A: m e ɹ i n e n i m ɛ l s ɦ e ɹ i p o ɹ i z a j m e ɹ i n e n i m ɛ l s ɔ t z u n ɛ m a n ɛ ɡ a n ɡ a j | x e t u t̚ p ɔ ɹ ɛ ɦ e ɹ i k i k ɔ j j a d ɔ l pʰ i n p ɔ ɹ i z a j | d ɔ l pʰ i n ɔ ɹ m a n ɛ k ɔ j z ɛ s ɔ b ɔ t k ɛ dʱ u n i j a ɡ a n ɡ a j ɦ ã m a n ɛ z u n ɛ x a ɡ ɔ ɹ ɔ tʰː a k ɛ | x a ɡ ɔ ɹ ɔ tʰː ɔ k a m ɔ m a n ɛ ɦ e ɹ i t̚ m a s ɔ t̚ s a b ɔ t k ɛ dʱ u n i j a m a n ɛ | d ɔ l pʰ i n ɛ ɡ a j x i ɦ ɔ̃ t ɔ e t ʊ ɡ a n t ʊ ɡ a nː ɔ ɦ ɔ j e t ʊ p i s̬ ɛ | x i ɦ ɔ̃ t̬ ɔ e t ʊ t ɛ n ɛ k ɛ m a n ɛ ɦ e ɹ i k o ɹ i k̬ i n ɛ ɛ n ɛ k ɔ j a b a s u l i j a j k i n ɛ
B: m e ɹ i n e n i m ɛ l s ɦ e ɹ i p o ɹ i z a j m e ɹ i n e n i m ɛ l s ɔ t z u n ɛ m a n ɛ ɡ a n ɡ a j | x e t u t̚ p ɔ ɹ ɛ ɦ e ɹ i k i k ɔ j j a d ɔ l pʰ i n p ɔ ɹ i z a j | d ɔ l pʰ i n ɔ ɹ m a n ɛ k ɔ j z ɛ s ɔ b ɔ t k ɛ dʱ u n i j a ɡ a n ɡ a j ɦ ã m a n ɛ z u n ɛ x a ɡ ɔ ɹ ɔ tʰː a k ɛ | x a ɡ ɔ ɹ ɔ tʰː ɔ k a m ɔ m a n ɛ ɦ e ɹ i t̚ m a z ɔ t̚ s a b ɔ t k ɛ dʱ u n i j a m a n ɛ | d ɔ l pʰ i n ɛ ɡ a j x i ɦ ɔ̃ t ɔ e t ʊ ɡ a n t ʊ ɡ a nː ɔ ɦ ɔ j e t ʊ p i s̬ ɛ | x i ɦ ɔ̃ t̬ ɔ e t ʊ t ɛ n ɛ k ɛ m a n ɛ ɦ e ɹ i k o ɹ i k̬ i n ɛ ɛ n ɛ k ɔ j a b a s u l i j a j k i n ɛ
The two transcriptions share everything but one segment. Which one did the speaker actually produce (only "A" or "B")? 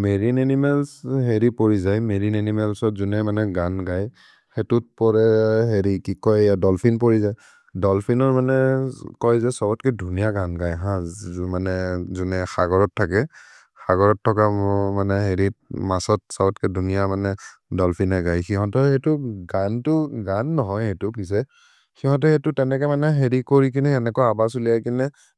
A